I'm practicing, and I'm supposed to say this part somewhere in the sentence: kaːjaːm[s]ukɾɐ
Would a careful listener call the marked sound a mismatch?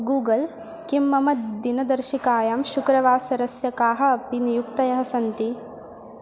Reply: yes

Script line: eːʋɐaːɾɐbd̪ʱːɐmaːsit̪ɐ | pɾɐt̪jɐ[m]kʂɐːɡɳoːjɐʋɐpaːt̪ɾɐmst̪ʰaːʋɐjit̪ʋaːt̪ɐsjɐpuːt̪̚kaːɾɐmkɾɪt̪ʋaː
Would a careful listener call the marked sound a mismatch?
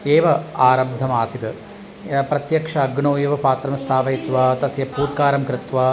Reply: yes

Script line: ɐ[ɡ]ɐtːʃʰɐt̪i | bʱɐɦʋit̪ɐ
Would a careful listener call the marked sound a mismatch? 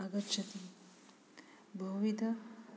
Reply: no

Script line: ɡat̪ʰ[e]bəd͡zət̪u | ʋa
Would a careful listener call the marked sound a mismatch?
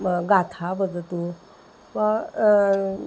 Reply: yes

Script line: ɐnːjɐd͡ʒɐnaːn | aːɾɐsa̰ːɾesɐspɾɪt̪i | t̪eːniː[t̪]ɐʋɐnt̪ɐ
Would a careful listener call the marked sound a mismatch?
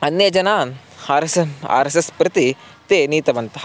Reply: no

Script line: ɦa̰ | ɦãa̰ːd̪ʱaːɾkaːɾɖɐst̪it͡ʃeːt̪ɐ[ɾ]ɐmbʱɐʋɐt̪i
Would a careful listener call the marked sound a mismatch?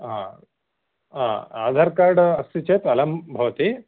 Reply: yes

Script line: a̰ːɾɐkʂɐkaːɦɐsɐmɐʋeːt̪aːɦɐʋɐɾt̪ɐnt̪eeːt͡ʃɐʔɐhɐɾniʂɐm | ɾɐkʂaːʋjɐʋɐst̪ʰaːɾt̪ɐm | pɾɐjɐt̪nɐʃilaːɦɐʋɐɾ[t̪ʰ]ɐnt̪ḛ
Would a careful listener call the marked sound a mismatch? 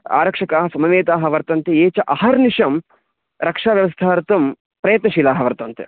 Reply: yes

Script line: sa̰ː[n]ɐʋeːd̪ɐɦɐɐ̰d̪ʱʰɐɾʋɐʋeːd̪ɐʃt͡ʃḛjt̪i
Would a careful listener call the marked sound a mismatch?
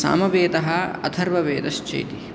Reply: yes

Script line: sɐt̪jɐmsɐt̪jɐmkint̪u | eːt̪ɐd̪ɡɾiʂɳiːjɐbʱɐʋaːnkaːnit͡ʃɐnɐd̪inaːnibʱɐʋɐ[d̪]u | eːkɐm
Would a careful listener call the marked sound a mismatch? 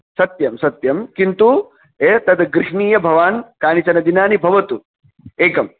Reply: yes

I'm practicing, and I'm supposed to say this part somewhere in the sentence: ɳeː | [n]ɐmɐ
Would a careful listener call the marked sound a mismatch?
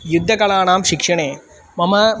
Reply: yes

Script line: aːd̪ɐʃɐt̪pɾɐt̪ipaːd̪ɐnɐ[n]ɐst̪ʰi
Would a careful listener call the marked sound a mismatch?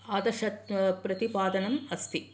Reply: yes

